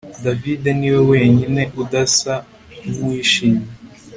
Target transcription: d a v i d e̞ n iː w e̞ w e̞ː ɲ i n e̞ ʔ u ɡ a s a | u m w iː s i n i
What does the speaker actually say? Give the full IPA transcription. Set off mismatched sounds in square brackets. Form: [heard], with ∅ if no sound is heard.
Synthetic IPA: d a v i d e̞ n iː w e̞ w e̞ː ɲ i n e̞ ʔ u [d] a s a | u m w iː [ʃ] i [ɲ] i